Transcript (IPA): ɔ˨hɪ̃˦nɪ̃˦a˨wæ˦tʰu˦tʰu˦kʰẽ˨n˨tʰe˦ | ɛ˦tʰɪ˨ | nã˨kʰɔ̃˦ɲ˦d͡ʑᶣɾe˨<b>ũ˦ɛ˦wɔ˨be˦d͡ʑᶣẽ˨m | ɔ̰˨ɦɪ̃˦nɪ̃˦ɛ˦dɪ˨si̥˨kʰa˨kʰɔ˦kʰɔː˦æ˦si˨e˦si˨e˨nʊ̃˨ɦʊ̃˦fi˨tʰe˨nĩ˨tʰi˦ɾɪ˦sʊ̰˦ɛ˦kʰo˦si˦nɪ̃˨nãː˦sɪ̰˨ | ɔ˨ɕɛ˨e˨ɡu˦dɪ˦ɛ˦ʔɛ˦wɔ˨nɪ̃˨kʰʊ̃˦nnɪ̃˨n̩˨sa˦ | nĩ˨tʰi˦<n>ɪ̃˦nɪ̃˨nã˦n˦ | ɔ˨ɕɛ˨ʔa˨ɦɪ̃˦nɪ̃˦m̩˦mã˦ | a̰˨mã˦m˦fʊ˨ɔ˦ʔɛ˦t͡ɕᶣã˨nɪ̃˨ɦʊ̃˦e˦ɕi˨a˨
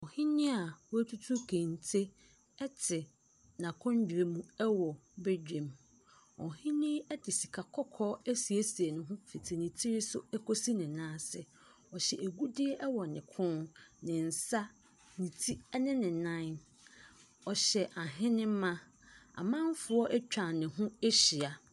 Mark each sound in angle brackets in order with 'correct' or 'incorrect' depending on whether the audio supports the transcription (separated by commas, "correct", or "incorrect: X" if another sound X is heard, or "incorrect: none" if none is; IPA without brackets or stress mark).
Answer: incorrect: m, correct